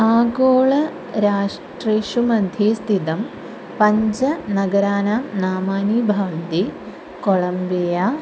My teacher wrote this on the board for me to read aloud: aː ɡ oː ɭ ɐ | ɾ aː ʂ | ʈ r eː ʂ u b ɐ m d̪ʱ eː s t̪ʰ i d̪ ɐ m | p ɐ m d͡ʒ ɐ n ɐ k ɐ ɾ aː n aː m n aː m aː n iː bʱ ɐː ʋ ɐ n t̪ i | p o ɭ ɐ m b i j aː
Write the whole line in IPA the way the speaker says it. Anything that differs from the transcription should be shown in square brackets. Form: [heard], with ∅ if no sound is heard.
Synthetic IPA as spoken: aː ɡ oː ɭ ɐ | ɾ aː ʂ | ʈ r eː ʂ u [m] ɐ [n] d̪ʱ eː s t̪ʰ i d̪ ɐ m | p ɐ [ɲ] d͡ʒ ɐ n ɐ [ɡ] ɐ ɾ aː n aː m n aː m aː n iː bʱ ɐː ʋ ɐ n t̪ i | [k] o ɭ ɐ m b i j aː

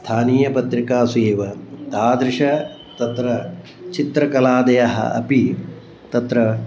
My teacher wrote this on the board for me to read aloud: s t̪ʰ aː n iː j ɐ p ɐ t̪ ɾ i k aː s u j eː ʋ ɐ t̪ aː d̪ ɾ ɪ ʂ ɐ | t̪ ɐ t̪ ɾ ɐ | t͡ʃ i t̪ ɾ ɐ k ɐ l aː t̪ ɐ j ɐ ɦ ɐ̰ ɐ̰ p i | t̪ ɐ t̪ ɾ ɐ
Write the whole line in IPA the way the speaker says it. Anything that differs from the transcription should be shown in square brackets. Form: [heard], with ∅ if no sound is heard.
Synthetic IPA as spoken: s t̪ʰ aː n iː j ɐ p ɐ t̪ ɾ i k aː s u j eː ʋ ɐ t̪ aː d̪ ɾ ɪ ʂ ɐ | t̪ ɐ t̪ ɾ ɐ | t͡ʃ i t̪ ɾ ɐ k ɐ l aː [d̪] ɐ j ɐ ɦ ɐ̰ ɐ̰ p i | t̪ ɐ t̪ ɾ ɐ

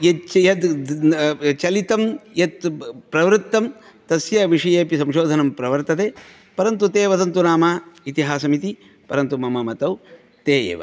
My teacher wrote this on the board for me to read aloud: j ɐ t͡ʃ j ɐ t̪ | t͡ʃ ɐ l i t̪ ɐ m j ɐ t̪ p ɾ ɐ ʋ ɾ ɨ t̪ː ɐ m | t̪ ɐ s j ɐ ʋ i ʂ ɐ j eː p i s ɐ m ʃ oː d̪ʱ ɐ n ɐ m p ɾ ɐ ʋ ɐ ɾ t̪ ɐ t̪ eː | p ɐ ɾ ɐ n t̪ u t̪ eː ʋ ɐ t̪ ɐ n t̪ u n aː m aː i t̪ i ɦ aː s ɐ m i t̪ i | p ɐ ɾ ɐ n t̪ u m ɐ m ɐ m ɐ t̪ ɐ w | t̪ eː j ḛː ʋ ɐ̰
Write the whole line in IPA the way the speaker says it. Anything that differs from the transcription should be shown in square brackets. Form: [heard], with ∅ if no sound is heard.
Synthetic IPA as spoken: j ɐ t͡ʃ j ɐ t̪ | t͡ʃ ɐ l i t̪ ɐ m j ɐ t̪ p ɾ ɐ ʋ ɾ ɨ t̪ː ɐ m | t̪ ɐ s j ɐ ʋ i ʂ ɐ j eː p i s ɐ m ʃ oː d̪ʱ ɐ n ɐ m p ɾ ɐ ʋ ɐ ɾ t̪ ɐ t̪ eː | p ɐ ɾ ɐ n t̪ u t̪ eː ʋ ɐ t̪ ɐ n t̪ u n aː m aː i t̪ i ɦ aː s ɐ m i t̪ i | p ɐ ɾ ɐ n t̪ u m ɐ m ɐ m ɐ t̪ ɐ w | t̪ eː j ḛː ʋ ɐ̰

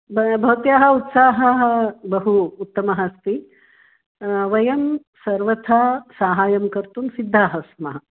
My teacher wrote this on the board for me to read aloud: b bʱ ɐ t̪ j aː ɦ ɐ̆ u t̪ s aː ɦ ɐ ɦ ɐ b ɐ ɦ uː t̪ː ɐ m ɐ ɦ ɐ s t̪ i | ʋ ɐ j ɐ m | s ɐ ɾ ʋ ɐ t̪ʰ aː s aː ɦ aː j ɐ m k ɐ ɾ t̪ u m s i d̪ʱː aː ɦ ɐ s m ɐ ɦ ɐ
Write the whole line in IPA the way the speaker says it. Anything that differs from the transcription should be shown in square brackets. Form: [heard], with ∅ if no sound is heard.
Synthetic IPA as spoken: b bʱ ɐ t̪ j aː ɦ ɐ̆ u t̪ s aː ɦ ɐ ɦ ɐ b ɐ ɦ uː t̪ː ɐ m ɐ ɦ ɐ s t̪ i | ʋ ɐ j ɐ m | s ɐ ɾ ʋ ɐ t̪ʰ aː s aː ɦ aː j ɐ m k ɐ ɾ t̪ u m s i d̪ʱː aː ɦ ɐ s m ɐ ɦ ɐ

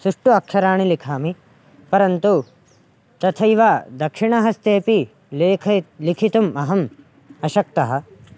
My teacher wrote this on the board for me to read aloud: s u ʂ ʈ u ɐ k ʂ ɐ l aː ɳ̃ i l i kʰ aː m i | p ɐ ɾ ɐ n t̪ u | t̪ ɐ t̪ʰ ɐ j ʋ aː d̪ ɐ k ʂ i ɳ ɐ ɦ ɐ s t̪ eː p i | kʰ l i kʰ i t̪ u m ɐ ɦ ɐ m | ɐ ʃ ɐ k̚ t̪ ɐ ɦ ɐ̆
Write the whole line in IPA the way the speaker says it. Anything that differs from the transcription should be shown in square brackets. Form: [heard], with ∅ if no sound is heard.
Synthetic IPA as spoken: s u ʂ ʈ u ɐ k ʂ ɐ [ɾ] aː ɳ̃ i l i kʰ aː m i | p ɐ ɾ ɐ n t̪ u | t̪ ɐ t̪ʰ ɐ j ʋ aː d̪ ɐ k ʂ i ɳ ɐ ɦ ɐ s t̪ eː p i | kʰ l i kʰ i t̪ u m ɐ ɦ ɐ m | ɐ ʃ ɐ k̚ t̪ ɐ ɦ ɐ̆

